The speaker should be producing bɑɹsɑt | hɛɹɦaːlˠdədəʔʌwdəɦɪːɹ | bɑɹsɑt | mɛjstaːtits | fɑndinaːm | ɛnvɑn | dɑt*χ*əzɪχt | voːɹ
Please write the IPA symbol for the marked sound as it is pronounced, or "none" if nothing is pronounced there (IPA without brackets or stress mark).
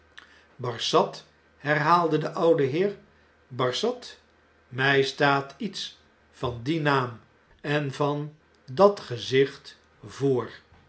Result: χ